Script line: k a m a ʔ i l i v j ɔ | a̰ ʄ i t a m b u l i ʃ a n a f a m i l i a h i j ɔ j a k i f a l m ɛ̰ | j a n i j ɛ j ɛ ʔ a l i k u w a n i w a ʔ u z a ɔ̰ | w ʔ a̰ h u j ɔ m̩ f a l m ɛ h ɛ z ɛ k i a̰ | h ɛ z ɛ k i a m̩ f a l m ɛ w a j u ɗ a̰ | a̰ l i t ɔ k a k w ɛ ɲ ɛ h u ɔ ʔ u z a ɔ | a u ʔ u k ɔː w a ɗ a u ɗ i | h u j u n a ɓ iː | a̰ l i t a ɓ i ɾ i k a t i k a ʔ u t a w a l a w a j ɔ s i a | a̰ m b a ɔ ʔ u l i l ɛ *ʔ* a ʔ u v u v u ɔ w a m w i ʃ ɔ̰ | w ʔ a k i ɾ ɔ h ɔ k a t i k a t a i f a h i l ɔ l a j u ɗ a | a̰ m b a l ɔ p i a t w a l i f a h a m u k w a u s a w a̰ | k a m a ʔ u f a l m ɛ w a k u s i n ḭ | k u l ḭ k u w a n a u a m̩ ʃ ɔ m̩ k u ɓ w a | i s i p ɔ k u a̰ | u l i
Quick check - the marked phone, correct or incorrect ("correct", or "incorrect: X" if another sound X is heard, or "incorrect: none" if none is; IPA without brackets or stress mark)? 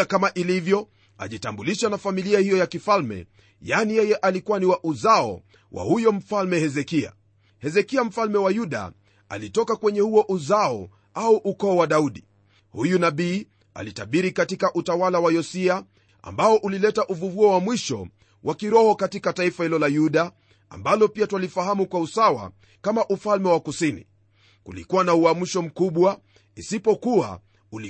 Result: incorrect: t